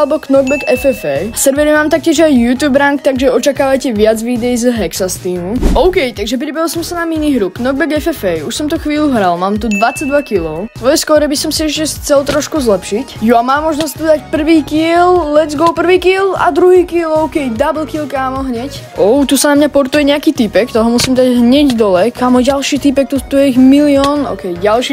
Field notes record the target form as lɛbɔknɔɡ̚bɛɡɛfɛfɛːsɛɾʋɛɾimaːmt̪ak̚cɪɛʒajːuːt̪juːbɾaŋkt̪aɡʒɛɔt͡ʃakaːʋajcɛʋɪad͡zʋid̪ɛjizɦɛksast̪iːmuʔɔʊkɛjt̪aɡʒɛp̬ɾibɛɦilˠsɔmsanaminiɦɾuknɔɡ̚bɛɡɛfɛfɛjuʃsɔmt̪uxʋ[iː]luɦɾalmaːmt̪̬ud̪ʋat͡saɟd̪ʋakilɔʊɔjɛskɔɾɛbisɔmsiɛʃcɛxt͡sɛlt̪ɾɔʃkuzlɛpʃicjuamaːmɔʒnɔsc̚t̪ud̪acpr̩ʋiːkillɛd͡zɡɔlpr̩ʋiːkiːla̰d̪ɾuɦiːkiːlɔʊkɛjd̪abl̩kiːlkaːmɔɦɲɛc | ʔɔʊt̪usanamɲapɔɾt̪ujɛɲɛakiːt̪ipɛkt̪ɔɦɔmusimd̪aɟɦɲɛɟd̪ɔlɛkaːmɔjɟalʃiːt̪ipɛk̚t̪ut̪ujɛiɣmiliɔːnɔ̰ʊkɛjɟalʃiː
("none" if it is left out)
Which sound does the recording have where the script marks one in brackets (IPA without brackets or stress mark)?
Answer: iː